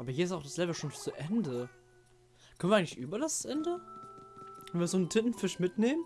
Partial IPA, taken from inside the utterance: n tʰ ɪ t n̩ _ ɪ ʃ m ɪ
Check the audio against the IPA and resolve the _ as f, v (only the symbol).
f